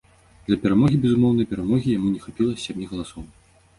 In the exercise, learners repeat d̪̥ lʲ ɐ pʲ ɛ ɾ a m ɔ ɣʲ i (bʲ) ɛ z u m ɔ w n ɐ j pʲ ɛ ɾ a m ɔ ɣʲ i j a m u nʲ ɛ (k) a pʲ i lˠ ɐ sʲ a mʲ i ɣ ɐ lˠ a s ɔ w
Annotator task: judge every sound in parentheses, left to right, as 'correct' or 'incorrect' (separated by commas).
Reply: correct, incorrect